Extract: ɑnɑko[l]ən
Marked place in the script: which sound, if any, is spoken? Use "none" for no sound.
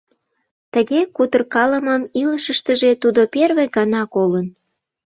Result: l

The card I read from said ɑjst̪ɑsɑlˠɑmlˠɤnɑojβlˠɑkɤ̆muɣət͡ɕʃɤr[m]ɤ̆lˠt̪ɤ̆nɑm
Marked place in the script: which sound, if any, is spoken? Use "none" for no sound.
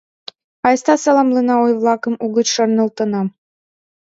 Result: n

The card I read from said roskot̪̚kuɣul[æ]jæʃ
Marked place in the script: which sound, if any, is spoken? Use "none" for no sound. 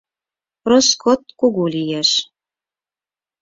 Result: i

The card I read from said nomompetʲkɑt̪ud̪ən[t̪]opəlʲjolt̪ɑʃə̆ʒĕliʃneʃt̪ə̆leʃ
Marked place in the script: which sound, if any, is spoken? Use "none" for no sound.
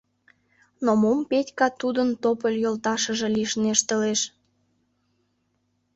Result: t̪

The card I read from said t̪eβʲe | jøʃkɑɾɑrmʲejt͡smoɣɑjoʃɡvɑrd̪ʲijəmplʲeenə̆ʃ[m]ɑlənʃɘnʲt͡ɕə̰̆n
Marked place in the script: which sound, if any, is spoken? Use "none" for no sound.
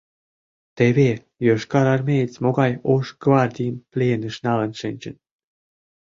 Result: n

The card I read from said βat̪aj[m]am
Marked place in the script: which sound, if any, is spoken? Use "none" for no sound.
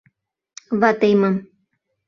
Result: m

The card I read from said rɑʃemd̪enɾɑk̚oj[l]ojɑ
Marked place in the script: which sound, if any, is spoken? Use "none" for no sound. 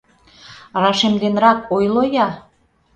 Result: l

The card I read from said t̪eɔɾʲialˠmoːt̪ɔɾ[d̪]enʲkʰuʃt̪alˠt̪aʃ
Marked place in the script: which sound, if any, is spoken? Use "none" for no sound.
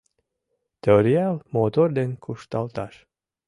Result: d̪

